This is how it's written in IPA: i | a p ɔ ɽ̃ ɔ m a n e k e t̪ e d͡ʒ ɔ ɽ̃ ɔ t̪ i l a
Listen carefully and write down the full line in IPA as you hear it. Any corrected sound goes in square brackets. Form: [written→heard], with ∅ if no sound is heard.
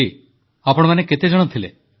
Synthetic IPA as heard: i | a p ɔ ɽ̃ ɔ m a n e k e t̪ e d͡ʒ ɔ ɽ̃ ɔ [t̪→t̪ʰ] i l [a→e]